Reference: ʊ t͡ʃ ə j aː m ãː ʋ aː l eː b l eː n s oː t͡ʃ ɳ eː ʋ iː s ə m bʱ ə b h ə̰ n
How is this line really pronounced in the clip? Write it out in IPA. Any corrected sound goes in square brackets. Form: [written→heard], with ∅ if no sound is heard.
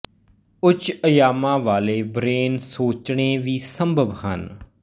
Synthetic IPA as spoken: ʊ t͡ʃ ə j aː m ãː ʋ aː l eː b [l→ɾ] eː n s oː t͡ʃ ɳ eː ʋ iː s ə m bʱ ə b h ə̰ n